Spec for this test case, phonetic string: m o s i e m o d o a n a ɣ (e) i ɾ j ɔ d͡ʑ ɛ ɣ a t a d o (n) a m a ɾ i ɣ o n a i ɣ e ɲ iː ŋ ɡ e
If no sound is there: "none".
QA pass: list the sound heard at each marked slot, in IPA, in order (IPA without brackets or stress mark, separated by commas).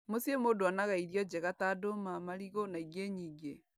a, m